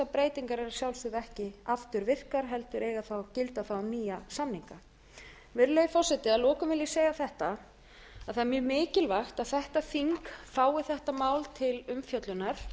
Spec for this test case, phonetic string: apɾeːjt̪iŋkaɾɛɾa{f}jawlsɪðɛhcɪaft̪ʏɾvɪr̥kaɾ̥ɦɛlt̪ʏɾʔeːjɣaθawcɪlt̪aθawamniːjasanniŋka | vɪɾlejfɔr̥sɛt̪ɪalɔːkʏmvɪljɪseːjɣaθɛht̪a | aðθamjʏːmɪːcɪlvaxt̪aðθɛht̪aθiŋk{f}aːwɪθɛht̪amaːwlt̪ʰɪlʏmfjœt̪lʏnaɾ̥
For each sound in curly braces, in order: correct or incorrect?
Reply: incorrect: s, correct

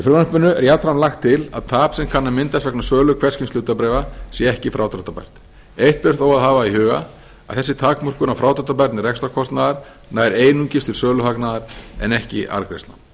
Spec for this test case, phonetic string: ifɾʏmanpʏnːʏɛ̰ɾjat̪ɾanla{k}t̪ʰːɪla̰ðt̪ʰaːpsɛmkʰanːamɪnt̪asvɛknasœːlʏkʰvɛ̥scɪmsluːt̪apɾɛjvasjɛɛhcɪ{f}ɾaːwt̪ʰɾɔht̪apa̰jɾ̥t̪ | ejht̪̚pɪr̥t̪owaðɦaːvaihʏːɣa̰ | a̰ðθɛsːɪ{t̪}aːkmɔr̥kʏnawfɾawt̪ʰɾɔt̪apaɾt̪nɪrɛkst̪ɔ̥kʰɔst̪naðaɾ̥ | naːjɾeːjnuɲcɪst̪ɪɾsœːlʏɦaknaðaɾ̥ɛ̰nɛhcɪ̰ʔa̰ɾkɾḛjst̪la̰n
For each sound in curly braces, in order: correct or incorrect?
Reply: incorrect: x, correct, incorrect: t̪ʰ

